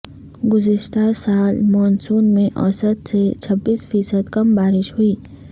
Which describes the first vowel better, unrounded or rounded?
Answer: rounded